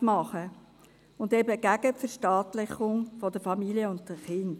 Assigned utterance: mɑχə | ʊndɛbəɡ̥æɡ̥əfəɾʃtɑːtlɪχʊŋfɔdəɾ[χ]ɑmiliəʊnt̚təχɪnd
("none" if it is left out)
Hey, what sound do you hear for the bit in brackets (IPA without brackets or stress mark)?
f